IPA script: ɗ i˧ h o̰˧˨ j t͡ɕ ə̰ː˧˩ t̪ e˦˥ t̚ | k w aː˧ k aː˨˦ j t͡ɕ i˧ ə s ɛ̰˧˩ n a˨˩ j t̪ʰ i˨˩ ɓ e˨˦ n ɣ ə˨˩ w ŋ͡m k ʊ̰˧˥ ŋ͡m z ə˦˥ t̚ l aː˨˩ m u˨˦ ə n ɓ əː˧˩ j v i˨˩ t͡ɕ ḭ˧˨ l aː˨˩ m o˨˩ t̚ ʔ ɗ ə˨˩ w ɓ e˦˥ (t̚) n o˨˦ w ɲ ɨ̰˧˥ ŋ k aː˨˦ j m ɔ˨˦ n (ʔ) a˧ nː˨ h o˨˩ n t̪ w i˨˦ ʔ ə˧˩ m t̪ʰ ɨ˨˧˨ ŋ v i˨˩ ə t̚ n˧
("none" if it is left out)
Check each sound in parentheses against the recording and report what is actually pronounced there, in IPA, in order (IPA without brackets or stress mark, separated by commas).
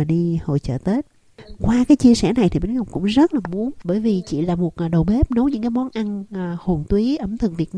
p̚, ʔ